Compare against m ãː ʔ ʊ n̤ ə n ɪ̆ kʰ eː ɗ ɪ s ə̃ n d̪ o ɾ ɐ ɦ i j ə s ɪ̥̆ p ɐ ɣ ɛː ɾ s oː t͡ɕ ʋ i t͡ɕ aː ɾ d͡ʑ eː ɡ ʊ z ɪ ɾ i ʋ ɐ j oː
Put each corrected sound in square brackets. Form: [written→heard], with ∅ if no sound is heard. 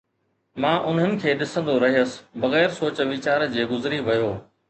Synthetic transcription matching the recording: m ãː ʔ ʊ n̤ ə n ɪ̆ kʰ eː ɗ ɪ s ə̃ n d̪ o ɾ ɐ ɦ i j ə s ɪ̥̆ [p→b] ɐ ɣ ɛː ɾ s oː t͡ɕ ʋ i t͡ɕ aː ɾ d͡ʑ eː ɡ ʊ z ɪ ɾ i ʋ ɐ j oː